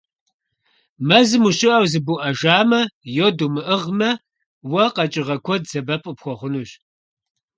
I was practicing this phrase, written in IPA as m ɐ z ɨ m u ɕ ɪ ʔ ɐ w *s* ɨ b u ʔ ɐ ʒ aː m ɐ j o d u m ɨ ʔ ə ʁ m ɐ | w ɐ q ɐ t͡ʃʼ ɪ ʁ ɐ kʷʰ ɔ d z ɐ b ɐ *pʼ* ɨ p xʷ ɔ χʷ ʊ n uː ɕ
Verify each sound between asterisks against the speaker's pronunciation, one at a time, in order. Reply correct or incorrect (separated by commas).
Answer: incorrect, correct